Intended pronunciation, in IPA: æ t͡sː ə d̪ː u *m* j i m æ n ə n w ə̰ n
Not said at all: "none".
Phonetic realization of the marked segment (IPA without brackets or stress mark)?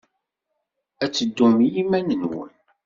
m